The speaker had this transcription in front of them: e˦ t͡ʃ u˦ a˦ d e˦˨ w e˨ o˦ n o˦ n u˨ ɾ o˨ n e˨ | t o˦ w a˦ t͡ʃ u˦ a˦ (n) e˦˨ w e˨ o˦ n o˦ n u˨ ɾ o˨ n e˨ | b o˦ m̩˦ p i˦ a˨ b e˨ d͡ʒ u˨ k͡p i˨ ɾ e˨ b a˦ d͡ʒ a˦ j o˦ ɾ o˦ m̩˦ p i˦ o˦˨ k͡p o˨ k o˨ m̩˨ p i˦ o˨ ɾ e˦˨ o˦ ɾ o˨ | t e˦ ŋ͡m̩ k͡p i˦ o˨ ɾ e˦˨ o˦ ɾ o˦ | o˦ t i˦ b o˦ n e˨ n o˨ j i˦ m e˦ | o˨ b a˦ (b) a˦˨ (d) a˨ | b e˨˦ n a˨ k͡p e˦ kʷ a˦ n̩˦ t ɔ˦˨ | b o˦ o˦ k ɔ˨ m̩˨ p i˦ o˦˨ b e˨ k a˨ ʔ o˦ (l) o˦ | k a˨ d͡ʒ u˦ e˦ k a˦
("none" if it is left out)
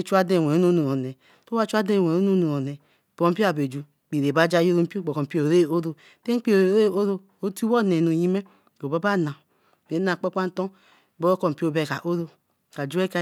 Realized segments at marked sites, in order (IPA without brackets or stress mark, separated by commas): d, b, n, ɾ